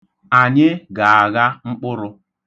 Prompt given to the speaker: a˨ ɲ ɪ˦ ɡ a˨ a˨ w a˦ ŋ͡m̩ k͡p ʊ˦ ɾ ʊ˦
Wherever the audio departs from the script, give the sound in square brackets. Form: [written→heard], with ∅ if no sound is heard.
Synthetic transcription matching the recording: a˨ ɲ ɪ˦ ɡ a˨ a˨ [w→ɣ] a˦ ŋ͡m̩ k͡p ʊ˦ ɾ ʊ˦